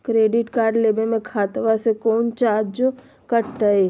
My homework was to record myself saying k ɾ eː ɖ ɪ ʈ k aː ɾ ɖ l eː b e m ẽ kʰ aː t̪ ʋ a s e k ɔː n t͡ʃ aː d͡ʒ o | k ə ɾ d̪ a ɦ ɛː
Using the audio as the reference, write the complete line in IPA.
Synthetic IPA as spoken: k ɾ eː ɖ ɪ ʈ k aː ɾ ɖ l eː b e m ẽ kʰ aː t̪ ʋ a s e k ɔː n t͡ʃ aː d͡ʒ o | k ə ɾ t̪ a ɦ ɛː